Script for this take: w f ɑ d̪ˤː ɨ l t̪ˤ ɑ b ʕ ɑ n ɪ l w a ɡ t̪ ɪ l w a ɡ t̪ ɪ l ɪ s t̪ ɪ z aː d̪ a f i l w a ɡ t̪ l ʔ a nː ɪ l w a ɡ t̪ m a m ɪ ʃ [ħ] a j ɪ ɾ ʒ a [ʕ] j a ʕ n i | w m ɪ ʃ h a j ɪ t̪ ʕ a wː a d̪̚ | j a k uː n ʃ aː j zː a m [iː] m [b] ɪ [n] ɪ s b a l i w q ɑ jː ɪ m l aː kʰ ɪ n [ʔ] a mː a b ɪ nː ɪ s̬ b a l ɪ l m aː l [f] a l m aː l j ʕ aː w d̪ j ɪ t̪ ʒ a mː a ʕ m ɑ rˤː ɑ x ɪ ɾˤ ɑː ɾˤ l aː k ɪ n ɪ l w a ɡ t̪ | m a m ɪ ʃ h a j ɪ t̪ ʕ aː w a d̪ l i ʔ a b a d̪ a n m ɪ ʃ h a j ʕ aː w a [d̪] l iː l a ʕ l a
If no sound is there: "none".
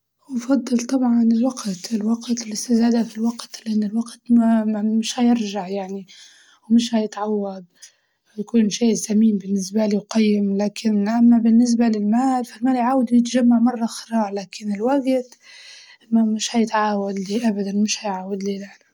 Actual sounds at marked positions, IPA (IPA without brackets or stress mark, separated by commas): h, ʕ, iː, b, nː, ʔ, f, d̪